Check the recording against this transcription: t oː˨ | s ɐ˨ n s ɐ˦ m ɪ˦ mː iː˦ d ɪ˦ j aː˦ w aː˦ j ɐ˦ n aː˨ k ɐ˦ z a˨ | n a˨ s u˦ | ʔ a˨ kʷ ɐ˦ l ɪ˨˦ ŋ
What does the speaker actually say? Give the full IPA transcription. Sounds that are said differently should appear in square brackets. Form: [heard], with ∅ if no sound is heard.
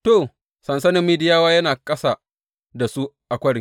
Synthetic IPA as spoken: t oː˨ | s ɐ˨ n s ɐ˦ [n] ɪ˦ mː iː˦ d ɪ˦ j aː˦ w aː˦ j ɐ˦ n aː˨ [kʼ] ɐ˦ [s] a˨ | [d] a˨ s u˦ | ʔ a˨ kʷ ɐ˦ [ɽ] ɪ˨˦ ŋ